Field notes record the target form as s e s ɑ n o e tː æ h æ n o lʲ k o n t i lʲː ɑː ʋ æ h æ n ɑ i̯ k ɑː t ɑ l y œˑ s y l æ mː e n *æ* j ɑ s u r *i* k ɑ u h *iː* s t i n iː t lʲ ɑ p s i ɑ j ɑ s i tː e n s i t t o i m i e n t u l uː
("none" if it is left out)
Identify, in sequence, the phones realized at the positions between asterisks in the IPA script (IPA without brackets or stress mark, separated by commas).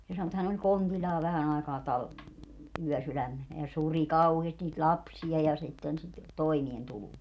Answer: æ, i, eː